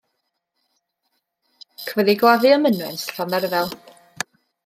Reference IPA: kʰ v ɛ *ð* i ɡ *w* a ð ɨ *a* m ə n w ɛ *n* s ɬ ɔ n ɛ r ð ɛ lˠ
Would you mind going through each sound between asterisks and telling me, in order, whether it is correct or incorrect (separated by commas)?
correct, correct, incorrect, correct